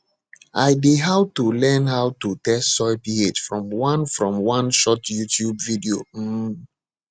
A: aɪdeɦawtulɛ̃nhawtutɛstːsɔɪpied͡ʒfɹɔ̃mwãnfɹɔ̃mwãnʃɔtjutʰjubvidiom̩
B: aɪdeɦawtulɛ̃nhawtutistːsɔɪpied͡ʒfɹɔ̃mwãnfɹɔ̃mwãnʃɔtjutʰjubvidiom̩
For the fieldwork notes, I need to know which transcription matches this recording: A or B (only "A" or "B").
A